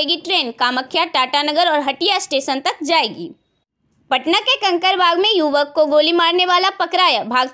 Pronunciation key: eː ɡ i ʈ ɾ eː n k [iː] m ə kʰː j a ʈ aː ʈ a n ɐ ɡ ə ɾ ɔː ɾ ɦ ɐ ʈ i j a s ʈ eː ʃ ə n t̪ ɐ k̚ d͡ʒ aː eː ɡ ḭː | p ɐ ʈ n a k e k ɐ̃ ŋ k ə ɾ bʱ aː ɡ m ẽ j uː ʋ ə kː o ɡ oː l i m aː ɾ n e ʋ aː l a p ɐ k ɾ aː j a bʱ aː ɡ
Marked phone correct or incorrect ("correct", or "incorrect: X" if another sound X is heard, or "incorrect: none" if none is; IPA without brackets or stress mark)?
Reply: incorrect: aː